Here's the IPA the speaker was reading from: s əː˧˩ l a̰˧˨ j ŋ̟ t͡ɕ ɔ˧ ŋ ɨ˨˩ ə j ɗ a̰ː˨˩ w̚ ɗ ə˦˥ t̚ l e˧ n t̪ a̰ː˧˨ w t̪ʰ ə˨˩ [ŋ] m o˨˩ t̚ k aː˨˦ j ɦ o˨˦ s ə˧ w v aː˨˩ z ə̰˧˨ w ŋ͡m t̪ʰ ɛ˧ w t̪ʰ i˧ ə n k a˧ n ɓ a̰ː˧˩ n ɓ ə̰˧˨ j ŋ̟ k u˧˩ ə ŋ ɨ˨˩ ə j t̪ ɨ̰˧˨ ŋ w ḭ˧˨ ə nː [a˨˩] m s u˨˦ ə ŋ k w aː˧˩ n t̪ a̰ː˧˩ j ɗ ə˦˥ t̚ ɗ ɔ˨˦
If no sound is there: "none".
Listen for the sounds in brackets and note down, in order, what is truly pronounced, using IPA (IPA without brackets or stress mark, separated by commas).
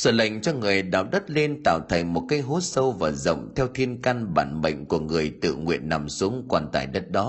ŋ, a˨˩